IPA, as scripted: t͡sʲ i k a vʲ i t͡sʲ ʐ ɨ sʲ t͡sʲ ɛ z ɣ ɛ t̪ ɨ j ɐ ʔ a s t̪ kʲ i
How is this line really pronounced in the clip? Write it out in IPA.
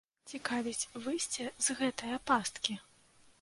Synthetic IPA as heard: t͡sʲ i k a vʲ i t͡sʲ v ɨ sʲ t͡sʲ ɛ z ɣ ɛ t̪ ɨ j ɐ p a s t̪ kʲ i